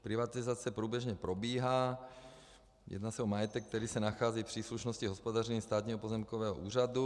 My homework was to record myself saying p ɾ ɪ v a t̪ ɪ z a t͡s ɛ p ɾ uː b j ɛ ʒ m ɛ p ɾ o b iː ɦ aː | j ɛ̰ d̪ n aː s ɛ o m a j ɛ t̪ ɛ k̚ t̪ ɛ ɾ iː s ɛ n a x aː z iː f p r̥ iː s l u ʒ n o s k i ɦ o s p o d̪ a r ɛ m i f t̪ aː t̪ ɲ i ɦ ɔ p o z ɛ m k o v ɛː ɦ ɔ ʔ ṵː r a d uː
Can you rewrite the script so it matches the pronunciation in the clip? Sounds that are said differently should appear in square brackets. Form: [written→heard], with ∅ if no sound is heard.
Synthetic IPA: p ɾ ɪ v a t̪ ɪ z a t͡s ɛ p ɾ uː b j ɛ ʒ [m→ɲ] ɛ p ɾ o b iː ɦ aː | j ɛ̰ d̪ n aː s ɛ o m a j ɛ t̪ ɛ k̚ t̪ ɛ ɾ iː s ɛ n a x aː z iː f p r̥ iː s l u [ʒ→ʃ] n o s [k→c] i ɦ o s p o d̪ a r ɛ [m→ɲ] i [f→s] t̪ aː t̪ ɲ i ɦ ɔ p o z ɛ m k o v ɛː ɦ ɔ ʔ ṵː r a d [uː→u]